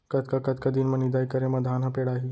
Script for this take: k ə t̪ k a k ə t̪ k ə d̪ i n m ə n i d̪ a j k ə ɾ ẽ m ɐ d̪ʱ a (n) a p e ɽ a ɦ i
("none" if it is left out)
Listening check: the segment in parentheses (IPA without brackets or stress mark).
n